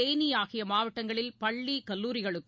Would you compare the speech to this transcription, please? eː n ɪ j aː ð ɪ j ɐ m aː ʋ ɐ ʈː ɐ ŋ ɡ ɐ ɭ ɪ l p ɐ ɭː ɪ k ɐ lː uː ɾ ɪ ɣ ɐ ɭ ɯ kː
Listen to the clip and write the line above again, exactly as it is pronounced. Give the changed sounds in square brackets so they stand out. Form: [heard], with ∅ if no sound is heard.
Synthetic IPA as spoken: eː n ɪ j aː [ɣ] ɪ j ɐ m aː ʋ ɐ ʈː ɐ ŋ ɡ ɐ ɭ ɪ l p ɐ ɭː [i] k ɐ lː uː ɾ ɪ ɣ ɐ ɭ ɯ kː